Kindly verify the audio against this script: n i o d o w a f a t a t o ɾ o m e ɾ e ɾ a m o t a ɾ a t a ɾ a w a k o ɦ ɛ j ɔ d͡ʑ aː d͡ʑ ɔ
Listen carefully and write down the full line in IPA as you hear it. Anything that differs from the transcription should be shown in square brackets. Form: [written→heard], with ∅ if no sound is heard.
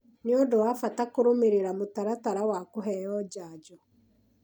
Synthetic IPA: n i o d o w a f a t a [t→k] o ɾ o m e ɾ e ɾ a m o t a ɾ a t a ɾ a w a k o ɦ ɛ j ɔ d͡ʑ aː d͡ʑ ɔ